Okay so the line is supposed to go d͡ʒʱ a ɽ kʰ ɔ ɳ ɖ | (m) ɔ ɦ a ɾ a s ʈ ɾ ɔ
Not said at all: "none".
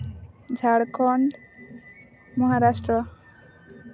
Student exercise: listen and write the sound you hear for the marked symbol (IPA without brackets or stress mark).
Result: m